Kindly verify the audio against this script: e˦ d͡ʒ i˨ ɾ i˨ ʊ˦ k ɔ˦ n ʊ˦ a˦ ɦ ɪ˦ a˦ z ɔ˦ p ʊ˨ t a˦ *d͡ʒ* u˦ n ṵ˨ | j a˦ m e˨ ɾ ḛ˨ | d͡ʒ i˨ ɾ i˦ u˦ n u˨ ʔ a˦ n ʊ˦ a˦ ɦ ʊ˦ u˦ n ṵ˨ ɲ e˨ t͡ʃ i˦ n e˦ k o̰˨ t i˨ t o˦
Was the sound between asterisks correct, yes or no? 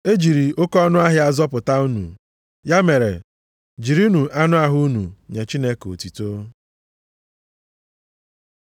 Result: no